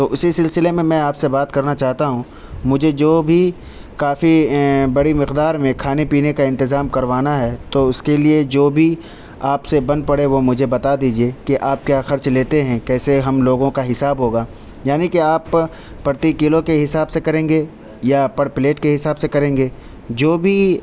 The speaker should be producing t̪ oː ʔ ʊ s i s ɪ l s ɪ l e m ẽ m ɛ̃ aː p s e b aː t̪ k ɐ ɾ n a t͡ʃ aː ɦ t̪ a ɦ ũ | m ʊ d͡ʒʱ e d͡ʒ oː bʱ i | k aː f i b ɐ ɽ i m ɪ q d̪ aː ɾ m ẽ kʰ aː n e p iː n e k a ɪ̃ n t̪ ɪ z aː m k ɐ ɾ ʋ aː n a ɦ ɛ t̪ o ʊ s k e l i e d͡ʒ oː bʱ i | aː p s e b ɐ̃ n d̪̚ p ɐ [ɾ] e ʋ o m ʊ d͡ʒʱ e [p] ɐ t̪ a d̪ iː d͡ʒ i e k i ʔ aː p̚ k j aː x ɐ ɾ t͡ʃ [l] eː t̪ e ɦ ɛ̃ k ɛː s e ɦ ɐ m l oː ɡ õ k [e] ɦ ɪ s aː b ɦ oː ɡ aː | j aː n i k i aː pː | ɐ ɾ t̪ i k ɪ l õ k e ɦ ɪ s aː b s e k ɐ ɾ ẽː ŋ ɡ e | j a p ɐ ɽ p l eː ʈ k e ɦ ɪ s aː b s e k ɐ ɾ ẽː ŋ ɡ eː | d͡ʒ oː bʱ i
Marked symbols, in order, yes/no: no, no, yes, no

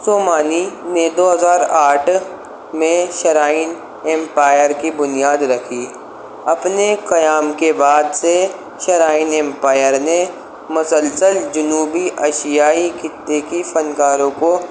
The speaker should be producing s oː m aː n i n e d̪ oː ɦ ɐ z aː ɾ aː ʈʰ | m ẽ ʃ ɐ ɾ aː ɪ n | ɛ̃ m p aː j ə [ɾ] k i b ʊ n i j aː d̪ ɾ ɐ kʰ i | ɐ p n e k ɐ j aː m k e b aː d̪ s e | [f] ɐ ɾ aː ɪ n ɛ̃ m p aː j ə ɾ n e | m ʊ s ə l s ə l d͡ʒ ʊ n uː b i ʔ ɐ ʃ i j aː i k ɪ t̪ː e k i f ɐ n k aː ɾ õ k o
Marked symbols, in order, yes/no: yes, no

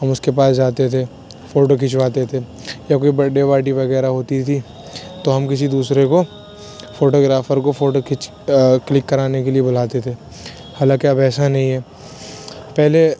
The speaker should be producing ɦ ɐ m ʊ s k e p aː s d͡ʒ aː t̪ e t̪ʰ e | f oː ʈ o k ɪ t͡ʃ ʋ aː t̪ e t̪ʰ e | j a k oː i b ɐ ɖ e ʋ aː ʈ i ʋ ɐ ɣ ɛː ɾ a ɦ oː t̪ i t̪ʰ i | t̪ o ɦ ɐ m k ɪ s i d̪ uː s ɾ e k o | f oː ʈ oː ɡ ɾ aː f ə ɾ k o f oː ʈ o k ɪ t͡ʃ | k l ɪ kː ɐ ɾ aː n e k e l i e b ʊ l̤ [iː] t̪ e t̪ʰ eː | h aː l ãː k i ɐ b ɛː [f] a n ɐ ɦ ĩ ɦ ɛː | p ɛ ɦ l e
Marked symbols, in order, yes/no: no, no

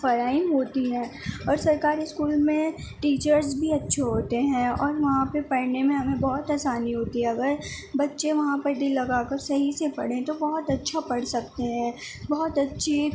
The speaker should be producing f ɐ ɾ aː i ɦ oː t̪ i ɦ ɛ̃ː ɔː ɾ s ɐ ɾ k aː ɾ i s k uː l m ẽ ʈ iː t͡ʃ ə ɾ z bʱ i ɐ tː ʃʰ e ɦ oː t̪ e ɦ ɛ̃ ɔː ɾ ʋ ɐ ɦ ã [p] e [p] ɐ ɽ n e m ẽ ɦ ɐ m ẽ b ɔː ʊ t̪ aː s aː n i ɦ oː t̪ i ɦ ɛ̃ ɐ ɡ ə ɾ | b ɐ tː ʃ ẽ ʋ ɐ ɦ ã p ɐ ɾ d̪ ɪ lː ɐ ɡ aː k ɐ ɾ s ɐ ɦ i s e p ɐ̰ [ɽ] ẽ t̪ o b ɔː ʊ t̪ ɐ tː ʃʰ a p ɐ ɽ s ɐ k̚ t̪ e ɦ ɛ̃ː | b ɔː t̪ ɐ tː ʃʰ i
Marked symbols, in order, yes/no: yes, yes, yes

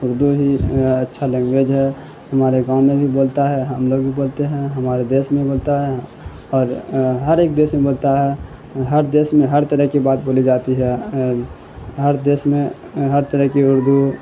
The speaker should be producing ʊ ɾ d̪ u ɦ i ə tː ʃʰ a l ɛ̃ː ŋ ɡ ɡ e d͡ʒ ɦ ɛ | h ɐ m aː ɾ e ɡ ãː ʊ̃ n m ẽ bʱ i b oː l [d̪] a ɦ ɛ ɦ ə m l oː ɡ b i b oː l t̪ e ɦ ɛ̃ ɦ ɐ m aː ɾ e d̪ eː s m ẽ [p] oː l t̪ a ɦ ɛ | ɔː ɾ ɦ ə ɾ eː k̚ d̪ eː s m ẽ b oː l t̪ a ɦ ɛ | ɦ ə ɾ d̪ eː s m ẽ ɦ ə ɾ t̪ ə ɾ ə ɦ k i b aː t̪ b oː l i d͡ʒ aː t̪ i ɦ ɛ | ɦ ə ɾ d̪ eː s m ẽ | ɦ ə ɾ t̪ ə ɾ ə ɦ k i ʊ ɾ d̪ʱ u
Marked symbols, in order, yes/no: no, no

